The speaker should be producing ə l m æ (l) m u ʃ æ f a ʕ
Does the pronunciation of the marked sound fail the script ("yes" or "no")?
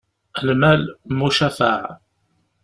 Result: no